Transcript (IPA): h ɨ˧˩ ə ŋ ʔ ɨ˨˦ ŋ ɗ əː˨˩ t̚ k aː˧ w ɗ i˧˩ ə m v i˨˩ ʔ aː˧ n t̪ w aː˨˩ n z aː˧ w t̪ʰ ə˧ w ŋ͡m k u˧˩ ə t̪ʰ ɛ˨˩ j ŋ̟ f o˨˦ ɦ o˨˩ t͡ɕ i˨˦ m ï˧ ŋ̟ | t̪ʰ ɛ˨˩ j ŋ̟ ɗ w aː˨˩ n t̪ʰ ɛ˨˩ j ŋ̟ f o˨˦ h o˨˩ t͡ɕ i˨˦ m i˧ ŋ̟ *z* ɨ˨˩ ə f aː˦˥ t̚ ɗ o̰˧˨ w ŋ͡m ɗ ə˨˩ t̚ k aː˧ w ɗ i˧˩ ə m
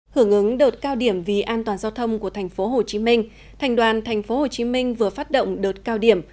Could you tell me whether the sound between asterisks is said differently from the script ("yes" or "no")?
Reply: yes